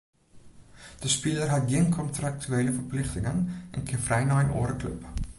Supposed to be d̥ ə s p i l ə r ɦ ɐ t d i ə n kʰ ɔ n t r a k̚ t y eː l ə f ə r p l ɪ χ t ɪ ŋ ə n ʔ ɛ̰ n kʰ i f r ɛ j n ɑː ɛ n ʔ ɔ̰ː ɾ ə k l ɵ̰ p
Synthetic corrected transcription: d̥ ə s p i l ə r ɦ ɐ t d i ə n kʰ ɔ n t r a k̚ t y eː l ə f ə r p l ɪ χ t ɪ ŋ ə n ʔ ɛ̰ n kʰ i f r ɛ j n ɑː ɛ n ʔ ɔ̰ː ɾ ə k l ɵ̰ p